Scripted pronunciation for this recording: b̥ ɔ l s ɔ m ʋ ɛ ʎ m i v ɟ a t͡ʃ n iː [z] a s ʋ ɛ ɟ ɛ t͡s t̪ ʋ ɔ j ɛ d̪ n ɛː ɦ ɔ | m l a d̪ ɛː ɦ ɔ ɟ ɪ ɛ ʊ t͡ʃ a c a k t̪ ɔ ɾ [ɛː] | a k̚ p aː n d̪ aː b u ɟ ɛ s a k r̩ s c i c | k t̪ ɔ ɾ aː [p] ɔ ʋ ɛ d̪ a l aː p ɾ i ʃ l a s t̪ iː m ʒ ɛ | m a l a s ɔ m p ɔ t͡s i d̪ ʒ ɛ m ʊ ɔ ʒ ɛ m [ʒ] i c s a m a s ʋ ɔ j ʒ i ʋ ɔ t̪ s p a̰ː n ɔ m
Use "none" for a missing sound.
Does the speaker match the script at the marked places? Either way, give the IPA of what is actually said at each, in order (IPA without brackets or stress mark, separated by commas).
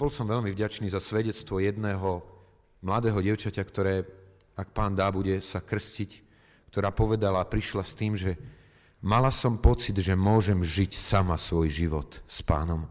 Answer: z, ɛː, p, ʒ